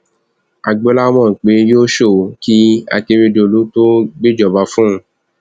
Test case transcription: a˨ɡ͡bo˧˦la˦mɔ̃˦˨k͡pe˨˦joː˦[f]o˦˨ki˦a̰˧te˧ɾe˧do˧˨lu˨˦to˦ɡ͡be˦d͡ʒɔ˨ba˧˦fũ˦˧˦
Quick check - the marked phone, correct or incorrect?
incorrect